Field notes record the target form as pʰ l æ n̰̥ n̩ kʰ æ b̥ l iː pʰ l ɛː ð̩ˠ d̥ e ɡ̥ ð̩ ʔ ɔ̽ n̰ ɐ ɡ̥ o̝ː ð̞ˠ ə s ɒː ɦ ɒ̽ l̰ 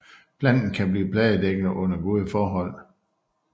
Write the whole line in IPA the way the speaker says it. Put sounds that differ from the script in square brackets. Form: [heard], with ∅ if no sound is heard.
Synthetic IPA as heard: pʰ l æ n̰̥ n̩ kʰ æ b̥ l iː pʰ l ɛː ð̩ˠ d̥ e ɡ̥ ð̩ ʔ ɔ̽ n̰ ɐ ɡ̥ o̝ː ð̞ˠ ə [f] ɒː ɦ ɒ̽ l̰